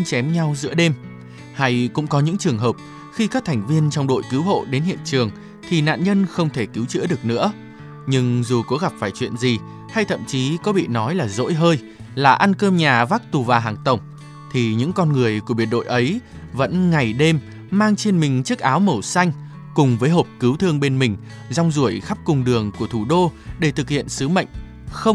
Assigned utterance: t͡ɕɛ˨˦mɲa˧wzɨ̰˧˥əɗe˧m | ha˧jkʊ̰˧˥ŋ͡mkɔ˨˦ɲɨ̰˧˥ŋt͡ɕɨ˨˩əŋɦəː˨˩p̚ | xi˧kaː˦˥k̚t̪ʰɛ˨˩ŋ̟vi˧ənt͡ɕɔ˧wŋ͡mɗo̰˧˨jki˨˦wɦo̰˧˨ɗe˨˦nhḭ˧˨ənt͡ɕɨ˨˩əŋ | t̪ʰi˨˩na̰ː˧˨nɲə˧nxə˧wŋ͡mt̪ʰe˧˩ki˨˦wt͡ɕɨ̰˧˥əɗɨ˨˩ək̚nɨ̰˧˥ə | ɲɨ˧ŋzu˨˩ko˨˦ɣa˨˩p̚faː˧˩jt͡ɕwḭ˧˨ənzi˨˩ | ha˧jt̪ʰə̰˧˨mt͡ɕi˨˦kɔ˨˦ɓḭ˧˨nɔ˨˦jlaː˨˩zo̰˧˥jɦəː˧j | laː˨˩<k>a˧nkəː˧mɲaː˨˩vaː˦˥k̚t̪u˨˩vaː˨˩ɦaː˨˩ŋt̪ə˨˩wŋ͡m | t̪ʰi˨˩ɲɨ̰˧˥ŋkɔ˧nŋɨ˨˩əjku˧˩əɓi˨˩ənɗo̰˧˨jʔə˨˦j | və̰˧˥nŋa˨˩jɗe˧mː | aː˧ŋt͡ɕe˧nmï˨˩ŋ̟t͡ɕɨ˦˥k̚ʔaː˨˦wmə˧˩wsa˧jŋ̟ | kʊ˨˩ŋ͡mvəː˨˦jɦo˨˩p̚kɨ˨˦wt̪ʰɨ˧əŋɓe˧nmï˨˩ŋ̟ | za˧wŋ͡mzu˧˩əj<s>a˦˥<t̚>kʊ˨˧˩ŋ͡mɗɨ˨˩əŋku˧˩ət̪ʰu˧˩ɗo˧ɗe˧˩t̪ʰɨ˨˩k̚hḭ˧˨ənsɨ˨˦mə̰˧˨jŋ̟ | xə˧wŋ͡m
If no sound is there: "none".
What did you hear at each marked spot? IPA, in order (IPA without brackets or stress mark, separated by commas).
ʔ, x, p̚